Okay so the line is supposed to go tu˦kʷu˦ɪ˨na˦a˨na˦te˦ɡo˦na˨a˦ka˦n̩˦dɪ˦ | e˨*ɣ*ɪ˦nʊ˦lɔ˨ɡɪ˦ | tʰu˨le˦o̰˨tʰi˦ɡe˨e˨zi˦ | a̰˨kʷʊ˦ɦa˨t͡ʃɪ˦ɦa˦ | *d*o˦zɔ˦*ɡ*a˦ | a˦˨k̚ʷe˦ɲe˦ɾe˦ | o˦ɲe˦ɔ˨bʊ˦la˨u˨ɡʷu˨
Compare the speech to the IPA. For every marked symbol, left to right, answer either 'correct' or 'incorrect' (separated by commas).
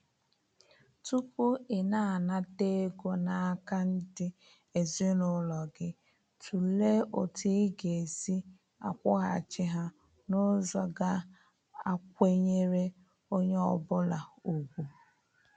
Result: incorrect, incorrect, correct